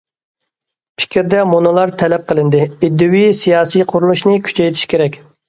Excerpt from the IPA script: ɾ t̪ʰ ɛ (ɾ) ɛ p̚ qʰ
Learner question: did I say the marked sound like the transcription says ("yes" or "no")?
no